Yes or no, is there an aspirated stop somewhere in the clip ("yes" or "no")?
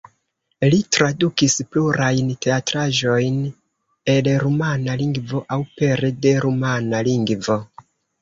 no